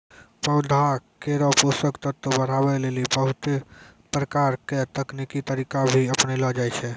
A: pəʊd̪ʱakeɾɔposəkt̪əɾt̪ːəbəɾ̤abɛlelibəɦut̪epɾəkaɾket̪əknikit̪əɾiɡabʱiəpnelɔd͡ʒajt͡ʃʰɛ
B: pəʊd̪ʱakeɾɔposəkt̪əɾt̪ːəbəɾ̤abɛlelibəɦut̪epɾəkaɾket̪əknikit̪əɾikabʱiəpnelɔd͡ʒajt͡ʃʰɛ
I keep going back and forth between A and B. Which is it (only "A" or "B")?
B